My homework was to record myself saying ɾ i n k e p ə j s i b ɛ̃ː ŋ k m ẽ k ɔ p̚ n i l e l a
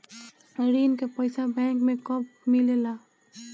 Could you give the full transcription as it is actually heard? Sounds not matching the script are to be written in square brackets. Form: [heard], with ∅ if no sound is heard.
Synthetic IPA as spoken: ɾ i n k e p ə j s [a] b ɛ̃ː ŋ k m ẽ k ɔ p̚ [m] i l e l a

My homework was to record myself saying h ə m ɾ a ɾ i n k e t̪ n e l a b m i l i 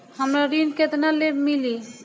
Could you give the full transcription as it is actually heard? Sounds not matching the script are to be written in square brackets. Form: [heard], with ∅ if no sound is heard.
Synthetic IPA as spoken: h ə m ɾ a ɾ i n k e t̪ n [a] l [e] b m i l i

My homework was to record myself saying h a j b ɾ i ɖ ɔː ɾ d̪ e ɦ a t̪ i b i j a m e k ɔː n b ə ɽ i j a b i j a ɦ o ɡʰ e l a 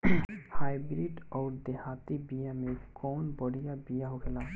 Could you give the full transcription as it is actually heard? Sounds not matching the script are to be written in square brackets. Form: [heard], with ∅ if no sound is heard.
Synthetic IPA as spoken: h a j b ɾ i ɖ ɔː ɾ d̪ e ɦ a t̪ i b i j a m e k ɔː n b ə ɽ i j a b i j a ɦ o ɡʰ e l a

